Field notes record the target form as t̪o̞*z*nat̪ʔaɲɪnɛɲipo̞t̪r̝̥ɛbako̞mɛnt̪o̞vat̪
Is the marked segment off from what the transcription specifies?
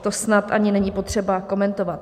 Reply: yes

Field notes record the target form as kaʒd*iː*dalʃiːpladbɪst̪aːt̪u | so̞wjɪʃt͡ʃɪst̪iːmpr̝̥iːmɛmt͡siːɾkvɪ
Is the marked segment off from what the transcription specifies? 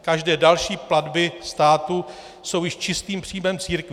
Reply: yes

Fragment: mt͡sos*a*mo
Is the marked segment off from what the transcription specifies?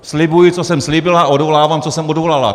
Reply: yes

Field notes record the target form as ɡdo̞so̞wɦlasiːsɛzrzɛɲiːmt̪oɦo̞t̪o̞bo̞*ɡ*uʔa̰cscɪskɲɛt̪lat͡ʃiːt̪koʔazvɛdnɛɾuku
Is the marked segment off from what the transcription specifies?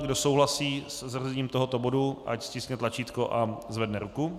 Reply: yes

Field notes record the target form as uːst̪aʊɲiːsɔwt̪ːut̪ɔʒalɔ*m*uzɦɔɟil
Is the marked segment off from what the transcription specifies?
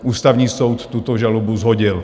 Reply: yes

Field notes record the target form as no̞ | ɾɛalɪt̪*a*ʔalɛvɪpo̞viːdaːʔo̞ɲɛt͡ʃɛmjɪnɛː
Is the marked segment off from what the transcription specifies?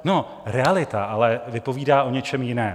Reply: no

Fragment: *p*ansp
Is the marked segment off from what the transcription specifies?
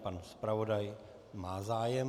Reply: no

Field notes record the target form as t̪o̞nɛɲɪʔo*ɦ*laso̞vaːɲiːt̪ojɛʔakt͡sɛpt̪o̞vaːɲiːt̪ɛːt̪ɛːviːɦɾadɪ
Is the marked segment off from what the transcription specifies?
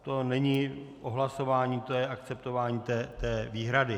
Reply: no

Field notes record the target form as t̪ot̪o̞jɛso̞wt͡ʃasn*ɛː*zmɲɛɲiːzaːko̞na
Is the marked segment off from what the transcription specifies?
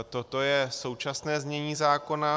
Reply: no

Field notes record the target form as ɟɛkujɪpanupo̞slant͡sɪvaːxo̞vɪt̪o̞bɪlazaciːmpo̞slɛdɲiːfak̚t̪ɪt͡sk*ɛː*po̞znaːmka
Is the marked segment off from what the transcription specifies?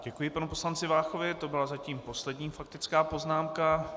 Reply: yes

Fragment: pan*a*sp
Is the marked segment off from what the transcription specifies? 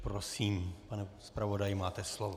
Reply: yes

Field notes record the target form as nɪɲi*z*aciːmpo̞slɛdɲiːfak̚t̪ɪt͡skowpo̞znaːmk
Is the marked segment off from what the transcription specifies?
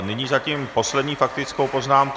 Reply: no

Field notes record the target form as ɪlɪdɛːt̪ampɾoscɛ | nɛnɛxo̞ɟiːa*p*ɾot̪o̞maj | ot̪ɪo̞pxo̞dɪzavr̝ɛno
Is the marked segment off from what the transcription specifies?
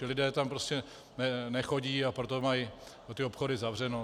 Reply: no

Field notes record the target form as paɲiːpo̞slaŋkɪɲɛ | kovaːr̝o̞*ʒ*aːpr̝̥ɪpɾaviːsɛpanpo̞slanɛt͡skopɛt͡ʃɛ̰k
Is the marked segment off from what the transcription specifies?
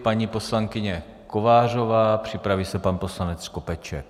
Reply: yes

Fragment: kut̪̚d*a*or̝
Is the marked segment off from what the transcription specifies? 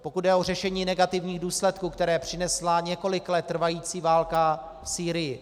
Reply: yes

